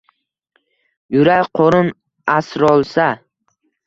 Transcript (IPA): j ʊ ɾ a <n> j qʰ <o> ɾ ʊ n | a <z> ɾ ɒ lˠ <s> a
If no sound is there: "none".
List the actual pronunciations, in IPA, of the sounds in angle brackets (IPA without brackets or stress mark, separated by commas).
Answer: none, o, s, s